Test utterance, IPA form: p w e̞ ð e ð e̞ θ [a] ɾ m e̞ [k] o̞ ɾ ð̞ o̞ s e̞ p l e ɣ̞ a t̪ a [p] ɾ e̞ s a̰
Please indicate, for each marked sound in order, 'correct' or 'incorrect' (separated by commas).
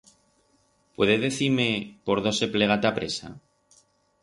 incorrect, incorrect, correct